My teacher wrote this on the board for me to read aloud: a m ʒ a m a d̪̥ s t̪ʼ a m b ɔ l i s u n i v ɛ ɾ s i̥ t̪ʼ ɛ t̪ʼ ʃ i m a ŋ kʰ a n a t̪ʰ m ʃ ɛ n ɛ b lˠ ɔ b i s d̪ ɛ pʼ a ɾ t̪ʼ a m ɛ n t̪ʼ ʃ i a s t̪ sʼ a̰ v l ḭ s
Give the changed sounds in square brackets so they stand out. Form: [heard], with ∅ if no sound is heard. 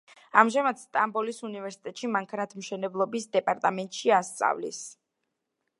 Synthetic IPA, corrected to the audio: a m ʒ a m a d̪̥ s t̪ʼ a m b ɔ l i s u n i v ɛ ɾ s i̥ t̪ʼ ɛ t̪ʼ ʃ i m a ŋ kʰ a n a t̪ʰ m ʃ ɛ n ɛ b lˠ ɔ b i s d̪ ɛ pʼ a ɾ t̪ʼ a m ɛ n t̪ʼ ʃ i a s t̪ sʼ a̰ v l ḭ s